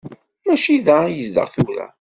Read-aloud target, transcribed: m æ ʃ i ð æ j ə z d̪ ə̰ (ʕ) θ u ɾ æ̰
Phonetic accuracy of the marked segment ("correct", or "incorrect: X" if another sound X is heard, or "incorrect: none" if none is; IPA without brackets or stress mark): incorrect: ʁ